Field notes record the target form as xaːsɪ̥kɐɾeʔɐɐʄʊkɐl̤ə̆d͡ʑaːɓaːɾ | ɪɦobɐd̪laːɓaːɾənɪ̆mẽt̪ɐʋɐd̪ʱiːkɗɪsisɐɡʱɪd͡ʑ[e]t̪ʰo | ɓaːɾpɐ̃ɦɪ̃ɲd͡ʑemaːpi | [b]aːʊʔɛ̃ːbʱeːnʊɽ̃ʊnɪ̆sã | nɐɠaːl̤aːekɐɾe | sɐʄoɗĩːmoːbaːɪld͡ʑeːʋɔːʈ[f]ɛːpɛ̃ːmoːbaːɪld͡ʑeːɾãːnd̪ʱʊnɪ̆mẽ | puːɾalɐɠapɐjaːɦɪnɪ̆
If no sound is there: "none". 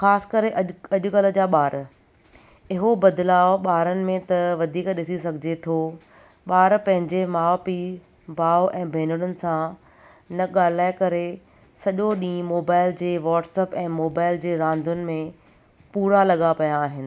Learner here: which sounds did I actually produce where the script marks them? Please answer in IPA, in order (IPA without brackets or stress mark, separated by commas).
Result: e, b, s